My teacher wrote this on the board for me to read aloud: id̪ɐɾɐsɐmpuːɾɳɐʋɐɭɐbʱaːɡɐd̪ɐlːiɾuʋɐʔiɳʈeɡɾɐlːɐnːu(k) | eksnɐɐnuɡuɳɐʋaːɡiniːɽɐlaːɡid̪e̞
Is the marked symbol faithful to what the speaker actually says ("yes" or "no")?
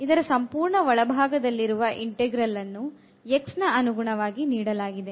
no